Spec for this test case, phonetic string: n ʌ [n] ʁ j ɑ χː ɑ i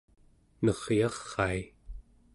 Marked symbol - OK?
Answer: no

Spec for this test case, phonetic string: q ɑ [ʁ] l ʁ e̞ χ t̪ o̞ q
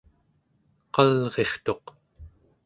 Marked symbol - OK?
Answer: no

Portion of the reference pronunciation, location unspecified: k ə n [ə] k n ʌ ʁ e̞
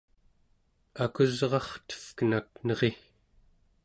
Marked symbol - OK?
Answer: no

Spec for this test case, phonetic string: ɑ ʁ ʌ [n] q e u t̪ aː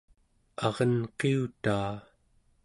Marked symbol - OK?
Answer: yes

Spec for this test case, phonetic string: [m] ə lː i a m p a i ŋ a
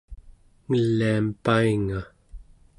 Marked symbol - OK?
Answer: no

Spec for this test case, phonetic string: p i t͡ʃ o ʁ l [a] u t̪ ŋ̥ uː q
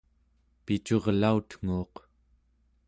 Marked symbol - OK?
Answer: yes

